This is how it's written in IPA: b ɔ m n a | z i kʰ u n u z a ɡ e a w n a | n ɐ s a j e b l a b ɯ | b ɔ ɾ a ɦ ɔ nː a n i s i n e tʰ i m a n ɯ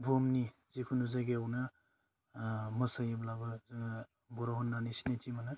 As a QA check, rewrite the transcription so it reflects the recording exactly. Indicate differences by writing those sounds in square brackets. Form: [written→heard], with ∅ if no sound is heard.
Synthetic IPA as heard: b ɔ m n [a→i] | z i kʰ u n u z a ɡ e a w n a | [n→m] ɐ s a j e b l a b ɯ | b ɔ ɾ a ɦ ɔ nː a n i s i n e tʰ i m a n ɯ